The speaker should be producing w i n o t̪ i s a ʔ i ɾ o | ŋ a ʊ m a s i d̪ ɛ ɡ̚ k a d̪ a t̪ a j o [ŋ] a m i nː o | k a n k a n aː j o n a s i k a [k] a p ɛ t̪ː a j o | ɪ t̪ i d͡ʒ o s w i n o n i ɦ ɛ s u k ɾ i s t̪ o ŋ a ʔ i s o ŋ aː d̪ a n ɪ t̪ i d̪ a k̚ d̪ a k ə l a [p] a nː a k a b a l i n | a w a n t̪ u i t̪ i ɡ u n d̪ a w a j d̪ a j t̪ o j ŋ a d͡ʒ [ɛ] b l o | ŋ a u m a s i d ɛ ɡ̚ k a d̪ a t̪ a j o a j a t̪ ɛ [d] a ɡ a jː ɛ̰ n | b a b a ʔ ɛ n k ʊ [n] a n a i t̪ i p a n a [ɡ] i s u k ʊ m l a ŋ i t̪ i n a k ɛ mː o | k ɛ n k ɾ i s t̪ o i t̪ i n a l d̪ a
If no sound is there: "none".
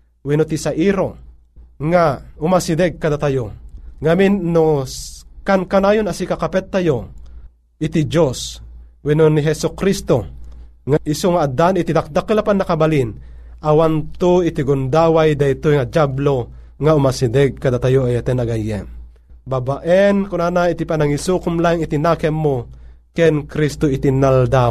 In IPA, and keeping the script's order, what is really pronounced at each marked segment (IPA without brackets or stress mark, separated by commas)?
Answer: ŋ, k, p, a, n, n, ŋ